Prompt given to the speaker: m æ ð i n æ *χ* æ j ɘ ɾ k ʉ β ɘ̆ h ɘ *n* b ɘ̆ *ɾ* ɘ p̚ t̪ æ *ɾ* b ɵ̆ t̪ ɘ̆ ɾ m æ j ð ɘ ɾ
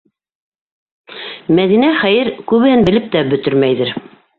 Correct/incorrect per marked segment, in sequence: correct, correct, incorrect: l, incorrect: none

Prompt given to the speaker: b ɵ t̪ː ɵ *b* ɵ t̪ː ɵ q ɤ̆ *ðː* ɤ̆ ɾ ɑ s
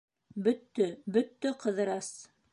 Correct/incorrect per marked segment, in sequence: correct, incorrect: ð

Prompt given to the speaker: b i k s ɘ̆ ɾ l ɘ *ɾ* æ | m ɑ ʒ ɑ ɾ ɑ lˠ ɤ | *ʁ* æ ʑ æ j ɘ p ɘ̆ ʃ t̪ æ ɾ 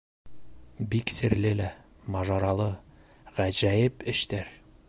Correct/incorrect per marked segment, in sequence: incorrect: l, correct

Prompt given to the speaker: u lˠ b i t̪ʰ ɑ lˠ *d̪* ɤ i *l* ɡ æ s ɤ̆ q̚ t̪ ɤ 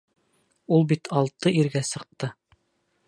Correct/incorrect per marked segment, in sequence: incorrect: t̪, incorrect: ɾ

